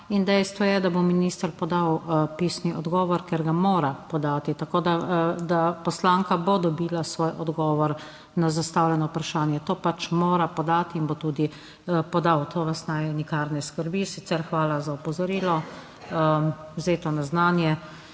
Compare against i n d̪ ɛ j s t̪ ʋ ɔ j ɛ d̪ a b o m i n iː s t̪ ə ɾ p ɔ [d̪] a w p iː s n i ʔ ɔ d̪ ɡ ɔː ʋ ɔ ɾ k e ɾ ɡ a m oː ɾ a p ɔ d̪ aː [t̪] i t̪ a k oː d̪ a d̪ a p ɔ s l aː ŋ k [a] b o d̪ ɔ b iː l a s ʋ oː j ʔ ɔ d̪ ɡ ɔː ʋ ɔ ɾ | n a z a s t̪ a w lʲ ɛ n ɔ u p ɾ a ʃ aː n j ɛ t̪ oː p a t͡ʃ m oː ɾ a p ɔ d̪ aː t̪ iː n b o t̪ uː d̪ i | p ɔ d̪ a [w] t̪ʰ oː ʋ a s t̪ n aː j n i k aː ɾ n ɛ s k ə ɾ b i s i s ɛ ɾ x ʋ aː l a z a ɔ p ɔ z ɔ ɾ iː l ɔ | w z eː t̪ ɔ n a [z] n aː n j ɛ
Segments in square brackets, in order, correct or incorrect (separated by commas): correct, correct, correct, correct, correct